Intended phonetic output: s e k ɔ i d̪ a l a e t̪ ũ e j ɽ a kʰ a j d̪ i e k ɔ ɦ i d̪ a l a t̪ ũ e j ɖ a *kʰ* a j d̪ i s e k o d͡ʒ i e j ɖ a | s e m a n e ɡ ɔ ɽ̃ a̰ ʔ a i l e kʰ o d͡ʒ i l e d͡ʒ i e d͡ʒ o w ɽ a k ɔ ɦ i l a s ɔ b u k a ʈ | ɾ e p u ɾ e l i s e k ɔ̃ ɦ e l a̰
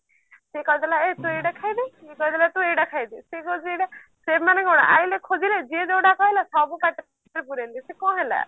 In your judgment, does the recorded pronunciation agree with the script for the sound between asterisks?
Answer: yes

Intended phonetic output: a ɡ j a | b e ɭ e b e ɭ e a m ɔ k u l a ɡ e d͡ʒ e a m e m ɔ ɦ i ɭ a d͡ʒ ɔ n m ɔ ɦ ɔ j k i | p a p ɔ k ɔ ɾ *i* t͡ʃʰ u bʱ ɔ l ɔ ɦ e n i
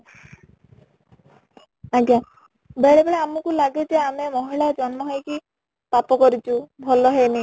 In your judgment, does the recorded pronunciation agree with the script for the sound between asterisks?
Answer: yes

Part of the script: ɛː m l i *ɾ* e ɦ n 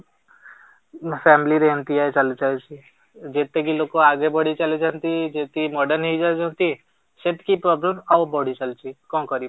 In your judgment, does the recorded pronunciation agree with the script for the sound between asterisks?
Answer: yes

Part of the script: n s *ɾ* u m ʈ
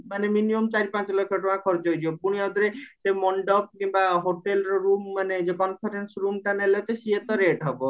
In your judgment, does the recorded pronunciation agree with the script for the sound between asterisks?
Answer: yes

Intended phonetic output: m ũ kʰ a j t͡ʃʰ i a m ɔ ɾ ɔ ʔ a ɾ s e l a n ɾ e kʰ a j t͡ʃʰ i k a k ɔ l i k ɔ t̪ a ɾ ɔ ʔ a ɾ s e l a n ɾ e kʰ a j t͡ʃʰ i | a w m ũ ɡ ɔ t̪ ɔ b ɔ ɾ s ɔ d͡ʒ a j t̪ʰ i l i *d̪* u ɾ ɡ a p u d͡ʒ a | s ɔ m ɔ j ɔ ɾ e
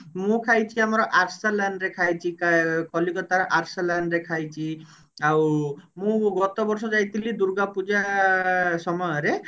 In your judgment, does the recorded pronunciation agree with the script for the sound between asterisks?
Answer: yes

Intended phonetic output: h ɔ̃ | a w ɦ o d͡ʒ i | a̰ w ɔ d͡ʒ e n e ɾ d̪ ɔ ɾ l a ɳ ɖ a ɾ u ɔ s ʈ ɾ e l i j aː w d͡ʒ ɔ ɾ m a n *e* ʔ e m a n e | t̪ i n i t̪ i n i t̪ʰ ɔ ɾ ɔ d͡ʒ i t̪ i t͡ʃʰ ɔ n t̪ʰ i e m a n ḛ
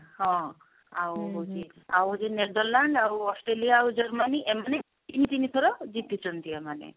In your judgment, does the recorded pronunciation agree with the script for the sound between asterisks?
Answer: no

